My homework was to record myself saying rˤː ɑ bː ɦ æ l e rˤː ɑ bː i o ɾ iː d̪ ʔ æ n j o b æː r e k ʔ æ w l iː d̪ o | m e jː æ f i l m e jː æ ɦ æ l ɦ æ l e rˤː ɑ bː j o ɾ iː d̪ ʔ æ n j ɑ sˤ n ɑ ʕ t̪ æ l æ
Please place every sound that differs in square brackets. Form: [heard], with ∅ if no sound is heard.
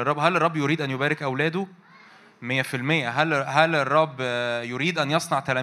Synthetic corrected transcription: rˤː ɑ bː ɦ æ l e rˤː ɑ bː [j] o ɾ iː d̪ ʔ æ n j o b æː [ɾ] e k ʔ æ w l [æː] d̪ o | m e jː æ f i l m e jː æ ɦ æ l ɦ æ l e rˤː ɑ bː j o ɾ iː d̪ ʔ æ n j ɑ sˤ n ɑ ʕ t̪ æ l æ